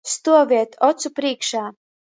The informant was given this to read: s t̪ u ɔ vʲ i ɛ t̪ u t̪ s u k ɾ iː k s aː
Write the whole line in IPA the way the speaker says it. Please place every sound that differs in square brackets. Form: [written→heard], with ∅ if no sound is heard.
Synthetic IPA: s t̪ u ɔ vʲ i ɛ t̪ [u→ɔ] t̪ s u [k→p] ɾ iː k [s→ʃ] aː